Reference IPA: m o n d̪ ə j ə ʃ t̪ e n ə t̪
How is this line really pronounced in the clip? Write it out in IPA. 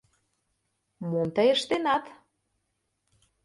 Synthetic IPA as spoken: m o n t̪ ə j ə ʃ t̪ e n ɑ t̪